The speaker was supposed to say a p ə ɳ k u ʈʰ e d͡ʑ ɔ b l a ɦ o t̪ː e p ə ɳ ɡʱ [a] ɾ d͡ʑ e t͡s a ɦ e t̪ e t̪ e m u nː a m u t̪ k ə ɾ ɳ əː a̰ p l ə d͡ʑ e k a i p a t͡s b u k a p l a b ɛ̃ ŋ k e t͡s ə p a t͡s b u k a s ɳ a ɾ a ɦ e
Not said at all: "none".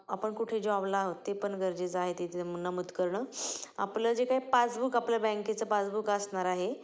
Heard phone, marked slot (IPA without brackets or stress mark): ə